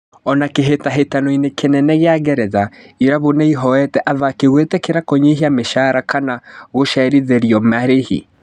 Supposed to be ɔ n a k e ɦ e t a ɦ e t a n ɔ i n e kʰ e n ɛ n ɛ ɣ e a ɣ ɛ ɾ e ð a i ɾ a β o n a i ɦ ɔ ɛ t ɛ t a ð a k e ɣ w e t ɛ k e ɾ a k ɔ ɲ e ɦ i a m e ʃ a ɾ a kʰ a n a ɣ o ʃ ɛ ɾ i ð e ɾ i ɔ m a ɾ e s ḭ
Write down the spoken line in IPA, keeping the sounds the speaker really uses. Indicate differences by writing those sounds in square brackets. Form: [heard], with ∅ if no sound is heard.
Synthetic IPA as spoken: ɔ n a k e ɦ e t a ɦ e t a n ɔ i n e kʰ e n ɛ n ɛ ɣ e a ɣ ɛ ɾ [ɛ] ð a i ɾ a β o n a i ɦ ɔ ɛ t ɛ [ʔ] a ð a k e ɣ w e t ɛ k e ɾ a k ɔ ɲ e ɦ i a m e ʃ a ɾ a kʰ a n a ɣ o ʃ ɛ ɾ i ð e ɾ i ɔ m a ɾ e [h] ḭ